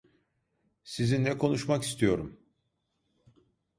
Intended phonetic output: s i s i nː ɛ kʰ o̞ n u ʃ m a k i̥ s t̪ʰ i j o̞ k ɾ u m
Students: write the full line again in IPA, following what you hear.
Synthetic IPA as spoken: s i z i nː ɛ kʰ o̞ n u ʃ m a k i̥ s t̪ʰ i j o̞ ɾ u m